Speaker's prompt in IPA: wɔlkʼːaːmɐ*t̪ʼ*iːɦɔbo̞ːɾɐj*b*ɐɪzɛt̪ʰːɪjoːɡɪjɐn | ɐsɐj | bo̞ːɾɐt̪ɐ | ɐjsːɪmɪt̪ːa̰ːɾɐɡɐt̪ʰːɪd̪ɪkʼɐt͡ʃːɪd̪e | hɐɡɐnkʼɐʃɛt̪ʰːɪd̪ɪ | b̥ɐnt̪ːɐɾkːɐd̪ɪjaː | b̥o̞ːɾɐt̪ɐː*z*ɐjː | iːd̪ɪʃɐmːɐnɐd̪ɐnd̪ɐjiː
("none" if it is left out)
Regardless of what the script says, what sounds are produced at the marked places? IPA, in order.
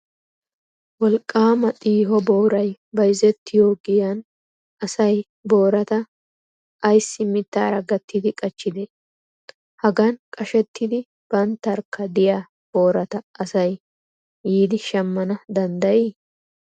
t̪ʼ, b, s

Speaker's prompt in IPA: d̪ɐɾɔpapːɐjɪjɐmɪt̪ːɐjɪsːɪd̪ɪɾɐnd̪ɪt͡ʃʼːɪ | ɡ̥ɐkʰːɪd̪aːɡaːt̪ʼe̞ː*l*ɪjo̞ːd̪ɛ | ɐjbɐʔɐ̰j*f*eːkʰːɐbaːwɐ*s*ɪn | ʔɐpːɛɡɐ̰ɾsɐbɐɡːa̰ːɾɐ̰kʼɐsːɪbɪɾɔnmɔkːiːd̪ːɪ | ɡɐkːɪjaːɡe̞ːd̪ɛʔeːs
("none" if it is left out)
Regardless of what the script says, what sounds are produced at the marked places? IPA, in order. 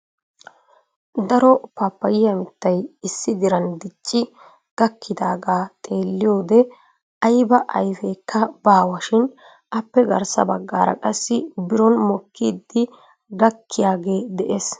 lː, f, ʃ

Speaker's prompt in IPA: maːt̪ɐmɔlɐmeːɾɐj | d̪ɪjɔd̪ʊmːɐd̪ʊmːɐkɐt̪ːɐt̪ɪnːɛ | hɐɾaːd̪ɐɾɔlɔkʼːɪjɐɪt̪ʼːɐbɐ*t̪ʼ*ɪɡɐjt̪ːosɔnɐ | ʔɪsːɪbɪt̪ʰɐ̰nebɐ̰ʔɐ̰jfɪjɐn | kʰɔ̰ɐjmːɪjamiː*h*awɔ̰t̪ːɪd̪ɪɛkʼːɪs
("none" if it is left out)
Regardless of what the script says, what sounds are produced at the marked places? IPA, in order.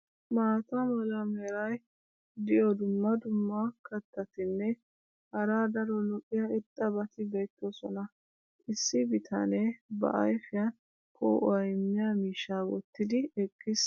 t̪, ʃ

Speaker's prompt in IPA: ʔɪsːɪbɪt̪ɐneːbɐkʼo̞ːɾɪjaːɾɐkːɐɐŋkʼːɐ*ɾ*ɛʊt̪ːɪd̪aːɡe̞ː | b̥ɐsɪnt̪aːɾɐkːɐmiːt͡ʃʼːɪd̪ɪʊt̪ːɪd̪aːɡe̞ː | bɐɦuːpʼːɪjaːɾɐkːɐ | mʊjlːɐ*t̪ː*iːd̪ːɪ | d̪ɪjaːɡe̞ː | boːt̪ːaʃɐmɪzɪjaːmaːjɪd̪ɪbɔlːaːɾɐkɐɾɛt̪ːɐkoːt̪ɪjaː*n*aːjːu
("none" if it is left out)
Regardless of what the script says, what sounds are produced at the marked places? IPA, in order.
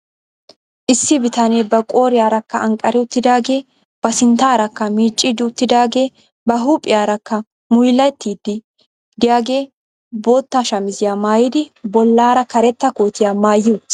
ɾ, t̪ː, m

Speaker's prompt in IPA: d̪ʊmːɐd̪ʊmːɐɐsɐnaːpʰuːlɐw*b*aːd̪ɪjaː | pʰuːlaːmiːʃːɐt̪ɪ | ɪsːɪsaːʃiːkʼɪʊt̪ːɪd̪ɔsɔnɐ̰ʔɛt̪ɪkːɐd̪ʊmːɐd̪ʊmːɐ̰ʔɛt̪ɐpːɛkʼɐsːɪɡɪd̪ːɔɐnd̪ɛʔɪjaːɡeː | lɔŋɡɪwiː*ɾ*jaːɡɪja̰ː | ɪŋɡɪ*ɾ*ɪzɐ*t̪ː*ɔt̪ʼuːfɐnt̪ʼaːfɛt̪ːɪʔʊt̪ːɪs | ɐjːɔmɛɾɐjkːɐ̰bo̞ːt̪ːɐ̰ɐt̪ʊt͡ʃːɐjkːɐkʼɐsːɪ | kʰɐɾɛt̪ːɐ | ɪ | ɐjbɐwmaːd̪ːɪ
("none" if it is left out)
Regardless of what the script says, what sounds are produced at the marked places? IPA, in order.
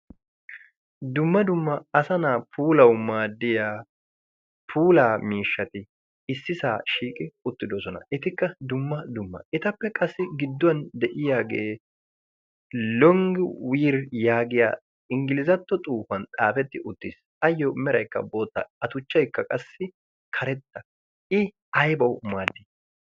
m, ɾ, l, t̪ː

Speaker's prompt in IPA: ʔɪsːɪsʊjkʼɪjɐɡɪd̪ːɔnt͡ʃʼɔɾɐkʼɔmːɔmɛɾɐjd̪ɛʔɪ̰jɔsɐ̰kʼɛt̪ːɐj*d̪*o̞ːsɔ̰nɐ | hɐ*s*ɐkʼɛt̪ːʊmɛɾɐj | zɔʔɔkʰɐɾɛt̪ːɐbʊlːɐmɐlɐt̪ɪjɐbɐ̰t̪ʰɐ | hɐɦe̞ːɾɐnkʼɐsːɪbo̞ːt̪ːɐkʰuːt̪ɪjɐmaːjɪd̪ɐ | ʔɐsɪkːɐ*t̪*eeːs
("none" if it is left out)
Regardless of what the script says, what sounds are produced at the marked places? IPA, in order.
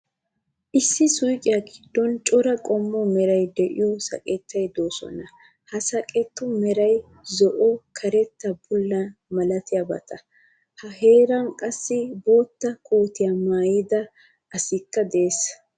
d̪, s, d̪

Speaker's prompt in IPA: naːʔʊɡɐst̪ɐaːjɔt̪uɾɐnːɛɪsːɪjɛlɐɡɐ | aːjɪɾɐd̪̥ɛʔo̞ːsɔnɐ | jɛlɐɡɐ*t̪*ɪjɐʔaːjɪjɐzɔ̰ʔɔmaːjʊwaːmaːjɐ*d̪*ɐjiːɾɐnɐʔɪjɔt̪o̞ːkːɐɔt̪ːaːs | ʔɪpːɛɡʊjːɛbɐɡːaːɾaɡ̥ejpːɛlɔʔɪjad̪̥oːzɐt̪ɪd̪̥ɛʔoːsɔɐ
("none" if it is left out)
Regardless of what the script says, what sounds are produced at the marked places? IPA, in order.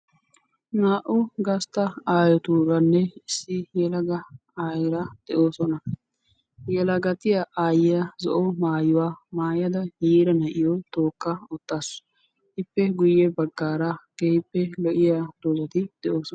t̪, d̪

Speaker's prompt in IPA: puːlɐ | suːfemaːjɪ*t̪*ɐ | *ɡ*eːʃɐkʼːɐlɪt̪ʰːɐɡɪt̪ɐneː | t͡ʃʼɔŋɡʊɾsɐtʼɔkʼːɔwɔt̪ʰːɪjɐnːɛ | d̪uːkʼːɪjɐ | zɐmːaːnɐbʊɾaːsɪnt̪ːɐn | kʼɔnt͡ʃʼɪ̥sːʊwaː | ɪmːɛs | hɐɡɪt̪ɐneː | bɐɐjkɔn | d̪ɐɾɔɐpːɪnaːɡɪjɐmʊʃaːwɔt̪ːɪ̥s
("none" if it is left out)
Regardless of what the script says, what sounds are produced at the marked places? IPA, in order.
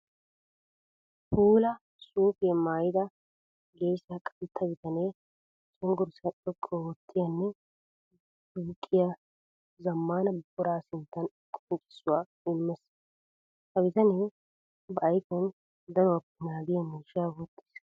d̪, ɡ

